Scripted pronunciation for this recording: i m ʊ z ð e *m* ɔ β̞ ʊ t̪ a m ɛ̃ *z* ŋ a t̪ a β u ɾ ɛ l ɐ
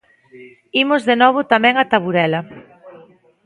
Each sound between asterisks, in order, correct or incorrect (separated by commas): incorrect, incorrect